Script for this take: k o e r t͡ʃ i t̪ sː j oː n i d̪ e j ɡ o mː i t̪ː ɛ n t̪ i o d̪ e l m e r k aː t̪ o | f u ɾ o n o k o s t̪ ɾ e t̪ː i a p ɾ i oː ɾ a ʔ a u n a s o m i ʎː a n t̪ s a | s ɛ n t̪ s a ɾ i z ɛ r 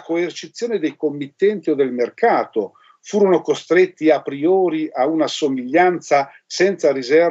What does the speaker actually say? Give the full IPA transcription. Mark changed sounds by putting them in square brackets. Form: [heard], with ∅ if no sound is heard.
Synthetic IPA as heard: k o e r t͡ʃ i t̪ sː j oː n [e] d̪ e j [k] o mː i t̪ː ɛ n t̪ i o d̪ e l m e r k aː t̪ o | f [uː] ɾ o n o k o s t̪ ɾ e t̪ː i a p ɾ i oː ɾ [i] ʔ a u n a s o m i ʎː a n t̪ s a | s ɛ n t̪ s a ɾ i z ɛ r